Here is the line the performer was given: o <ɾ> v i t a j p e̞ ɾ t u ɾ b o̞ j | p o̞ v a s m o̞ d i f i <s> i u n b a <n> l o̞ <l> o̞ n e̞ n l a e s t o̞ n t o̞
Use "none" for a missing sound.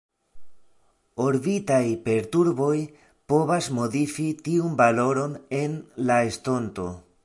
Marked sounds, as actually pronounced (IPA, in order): ɾ, t, none, ɾ

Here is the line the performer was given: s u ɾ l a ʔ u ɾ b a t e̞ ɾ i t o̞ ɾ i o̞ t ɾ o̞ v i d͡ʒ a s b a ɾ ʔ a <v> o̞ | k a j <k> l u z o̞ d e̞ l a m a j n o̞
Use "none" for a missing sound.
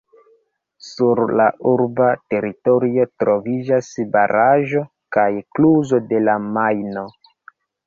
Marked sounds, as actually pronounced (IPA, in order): ʒ, k

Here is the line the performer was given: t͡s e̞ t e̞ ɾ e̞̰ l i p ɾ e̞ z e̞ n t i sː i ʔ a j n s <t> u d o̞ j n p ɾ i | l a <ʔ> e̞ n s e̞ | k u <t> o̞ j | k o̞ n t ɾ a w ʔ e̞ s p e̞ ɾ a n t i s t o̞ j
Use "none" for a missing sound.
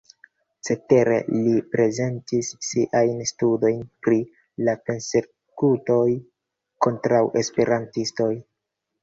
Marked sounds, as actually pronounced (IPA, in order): t, p, t

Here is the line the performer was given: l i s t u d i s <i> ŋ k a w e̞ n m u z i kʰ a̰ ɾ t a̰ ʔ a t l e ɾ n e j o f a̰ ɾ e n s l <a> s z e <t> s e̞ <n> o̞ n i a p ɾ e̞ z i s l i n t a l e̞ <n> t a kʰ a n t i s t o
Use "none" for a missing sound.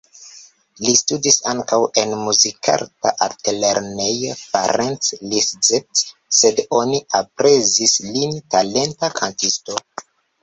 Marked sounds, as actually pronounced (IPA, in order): a, i, t, d, n

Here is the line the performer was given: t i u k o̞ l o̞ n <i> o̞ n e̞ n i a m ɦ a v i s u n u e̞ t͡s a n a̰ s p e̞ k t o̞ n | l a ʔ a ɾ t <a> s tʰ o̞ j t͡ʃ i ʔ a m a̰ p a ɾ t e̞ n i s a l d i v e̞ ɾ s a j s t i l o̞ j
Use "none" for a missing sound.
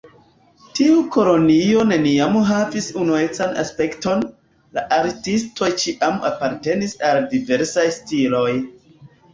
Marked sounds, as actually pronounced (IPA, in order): i, i

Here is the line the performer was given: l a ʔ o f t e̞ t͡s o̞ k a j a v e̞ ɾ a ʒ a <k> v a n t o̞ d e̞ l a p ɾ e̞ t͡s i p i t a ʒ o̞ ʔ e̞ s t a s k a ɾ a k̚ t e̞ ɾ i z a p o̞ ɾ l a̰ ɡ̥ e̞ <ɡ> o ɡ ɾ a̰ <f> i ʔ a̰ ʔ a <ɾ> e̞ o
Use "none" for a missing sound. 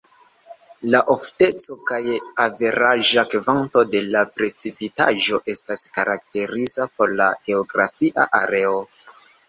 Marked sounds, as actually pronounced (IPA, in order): k, none, f, ɾ

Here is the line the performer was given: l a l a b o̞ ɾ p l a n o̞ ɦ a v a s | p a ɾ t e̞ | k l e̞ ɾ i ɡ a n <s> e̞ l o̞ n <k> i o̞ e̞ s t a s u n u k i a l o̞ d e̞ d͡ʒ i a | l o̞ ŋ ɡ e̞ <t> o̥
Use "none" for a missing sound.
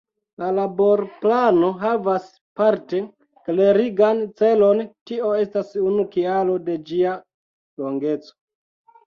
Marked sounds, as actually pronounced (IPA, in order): t͡s, t, t͡s

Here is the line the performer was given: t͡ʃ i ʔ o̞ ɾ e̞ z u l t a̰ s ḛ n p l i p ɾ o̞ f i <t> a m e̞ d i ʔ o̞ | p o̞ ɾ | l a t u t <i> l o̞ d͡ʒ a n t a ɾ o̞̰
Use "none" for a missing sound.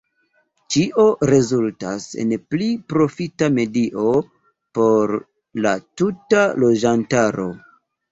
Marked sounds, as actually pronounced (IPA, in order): t, a

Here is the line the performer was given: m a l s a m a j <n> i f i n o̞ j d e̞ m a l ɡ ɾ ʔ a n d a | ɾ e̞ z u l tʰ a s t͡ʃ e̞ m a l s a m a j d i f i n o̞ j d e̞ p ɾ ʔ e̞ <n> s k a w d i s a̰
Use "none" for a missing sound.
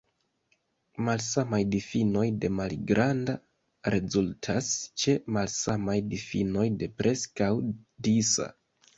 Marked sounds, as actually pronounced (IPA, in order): d, none

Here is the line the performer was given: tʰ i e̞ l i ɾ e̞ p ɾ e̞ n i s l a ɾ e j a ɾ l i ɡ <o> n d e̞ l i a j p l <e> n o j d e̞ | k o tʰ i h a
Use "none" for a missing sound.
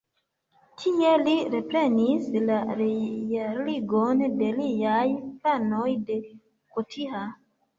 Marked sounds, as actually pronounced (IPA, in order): o, a

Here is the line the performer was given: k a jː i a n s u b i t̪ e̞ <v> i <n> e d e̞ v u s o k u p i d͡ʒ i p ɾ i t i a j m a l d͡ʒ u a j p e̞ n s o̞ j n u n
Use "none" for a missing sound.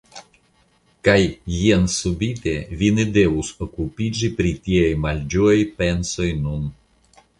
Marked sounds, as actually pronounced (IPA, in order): v, n

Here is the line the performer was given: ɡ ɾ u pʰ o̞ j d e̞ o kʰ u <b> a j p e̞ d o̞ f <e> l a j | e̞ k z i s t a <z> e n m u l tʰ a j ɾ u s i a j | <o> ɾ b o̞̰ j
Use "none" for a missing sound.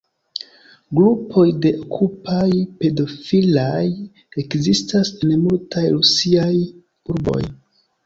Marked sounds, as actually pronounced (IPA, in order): p, i, s, u

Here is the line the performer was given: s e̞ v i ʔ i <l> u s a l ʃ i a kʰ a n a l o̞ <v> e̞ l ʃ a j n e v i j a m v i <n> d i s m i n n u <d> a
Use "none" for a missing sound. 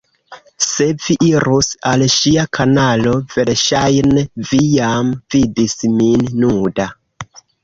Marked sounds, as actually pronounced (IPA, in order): ɾ, v, none, d

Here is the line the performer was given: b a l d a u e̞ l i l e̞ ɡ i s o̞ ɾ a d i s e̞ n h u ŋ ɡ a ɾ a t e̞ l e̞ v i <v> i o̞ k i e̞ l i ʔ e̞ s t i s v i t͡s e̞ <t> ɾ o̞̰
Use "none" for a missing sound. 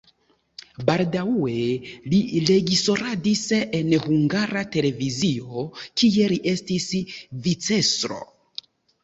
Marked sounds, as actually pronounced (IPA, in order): z, s

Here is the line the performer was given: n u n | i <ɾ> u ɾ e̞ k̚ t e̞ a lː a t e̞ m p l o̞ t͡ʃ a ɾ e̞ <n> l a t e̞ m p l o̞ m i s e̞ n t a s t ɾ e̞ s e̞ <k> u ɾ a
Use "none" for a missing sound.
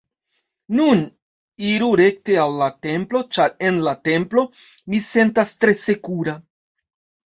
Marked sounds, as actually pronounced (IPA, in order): ɾ, n, k

